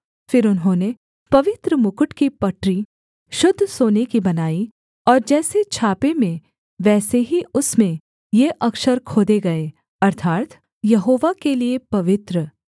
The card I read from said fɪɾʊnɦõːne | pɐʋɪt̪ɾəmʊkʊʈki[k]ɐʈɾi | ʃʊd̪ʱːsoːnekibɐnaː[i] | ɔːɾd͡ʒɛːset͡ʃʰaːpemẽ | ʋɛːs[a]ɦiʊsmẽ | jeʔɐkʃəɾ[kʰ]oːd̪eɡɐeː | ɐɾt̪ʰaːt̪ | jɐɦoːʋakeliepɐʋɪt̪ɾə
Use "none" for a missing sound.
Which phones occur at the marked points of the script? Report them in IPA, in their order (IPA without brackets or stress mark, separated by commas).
p, i, e, kʰ